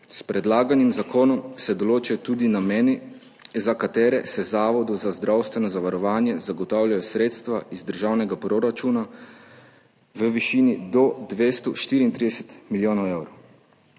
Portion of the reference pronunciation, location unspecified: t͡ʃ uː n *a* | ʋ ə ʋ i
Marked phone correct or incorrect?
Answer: correct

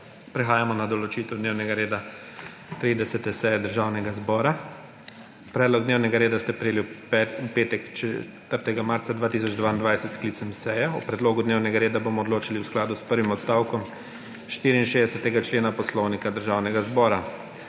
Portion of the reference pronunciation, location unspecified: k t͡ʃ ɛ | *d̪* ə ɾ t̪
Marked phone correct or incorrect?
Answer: incorrect: t̪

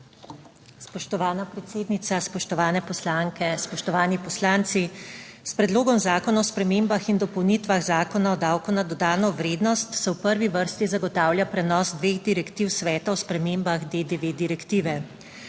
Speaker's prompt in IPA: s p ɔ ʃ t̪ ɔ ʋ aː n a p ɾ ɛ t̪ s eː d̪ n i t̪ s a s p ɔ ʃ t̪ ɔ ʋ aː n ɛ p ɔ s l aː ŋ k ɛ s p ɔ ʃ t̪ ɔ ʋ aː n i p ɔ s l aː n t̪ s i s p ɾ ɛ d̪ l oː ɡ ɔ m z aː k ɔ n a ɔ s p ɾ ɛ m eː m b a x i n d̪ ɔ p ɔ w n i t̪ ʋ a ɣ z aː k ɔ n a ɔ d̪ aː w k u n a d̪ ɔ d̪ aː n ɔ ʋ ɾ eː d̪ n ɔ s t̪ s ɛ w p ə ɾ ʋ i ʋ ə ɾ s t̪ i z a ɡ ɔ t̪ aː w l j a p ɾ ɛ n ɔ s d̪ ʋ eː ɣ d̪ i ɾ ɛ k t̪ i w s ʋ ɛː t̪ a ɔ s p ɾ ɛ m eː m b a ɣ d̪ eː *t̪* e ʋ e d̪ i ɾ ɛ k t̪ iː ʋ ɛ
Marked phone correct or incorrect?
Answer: incorrect: d̪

